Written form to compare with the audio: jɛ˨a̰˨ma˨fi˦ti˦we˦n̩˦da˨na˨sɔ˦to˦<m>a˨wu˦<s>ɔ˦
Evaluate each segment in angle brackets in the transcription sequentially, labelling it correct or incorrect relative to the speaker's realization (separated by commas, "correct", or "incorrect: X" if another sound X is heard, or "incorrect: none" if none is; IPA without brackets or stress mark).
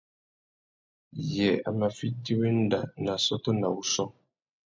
incorrect: n, correct